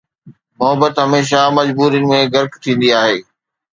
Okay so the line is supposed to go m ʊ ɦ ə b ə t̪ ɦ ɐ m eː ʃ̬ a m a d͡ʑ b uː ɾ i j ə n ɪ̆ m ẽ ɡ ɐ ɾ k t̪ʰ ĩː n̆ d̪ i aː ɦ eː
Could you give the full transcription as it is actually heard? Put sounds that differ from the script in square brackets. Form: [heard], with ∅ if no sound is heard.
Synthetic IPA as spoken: m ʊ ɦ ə b ə t̪ ɦ ɐ m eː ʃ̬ a m [ɐ] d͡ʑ b uː ɾ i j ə n ɪ̆ m ẽ ɡ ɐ ɾ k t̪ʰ ĩː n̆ d̪ i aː ɦ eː